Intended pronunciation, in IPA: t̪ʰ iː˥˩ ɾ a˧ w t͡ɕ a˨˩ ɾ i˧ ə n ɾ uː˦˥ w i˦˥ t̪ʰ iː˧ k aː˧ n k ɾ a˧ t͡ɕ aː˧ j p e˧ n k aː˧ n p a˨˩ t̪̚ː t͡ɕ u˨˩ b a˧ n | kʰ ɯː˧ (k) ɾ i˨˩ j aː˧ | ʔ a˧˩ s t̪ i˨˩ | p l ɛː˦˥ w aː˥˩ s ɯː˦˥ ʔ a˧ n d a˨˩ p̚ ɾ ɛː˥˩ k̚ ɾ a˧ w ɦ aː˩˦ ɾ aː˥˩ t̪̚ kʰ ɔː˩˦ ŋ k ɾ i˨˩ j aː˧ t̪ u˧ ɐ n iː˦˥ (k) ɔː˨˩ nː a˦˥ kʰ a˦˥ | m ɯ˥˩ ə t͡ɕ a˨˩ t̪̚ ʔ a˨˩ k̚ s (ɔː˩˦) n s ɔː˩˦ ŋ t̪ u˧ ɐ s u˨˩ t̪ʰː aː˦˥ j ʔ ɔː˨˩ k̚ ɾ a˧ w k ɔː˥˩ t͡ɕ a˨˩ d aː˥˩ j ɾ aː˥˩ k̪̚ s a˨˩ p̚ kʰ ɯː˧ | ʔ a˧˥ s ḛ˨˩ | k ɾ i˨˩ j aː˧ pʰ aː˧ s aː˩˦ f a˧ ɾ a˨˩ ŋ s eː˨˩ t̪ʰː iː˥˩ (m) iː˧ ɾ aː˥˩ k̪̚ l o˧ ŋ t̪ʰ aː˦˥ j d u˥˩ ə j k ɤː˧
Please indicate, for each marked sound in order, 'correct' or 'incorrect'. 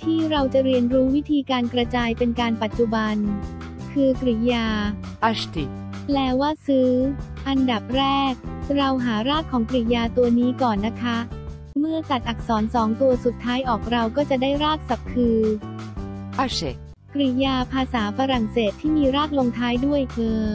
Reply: correct, correct, correct, correct

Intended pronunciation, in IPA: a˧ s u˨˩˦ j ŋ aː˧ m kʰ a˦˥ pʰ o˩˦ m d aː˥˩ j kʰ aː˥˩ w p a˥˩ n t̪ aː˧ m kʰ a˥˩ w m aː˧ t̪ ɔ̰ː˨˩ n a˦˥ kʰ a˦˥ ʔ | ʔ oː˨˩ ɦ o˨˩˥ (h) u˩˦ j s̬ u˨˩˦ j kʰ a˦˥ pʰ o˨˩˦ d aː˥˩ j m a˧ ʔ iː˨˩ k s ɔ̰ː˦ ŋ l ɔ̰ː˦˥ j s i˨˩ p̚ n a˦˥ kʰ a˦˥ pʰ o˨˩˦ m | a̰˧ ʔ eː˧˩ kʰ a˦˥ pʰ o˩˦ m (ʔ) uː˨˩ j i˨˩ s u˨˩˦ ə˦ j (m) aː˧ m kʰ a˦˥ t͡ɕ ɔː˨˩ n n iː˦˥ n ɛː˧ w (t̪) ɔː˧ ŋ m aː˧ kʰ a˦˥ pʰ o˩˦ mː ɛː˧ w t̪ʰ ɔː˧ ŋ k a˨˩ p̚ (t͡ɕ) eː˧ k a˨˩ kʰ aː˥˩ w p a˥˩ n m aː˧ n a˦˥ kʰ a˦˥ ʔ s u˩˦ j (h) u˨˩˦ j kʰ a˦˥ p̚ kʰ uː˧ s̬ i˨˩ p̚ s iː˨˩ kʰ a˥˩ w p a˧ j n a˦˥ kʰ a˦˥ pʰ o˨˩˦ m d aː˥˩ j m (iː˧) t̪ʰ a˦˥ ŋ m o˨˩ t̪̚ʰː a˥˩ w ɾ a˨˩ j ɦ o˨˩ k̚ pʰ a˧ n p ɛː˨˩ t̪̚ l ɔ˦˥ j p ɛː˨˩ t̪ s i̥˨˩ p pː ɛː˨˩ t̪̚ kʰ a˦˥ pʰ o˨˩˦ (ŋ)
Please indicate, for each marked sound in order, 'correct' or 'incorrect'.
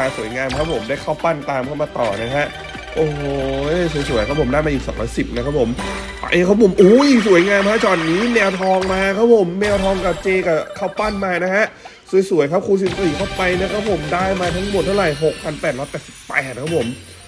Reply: incorrect, correct, incorrect, incorrect, correct, incorrect, incorrect, incorrect

